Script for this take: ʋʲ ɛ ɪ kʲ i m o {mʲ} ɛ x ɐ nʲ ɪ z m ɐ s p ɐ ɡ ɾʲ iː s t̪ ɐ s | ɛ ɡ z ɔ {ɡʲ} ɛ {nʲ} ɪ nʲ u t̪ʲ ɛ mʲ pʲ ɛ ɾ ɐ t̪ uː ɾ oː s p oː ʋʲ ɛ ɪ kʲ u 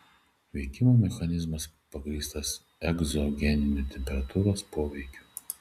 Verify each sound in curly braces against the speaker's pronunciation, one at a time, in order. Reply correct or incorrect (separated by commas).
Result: correct, correct, correct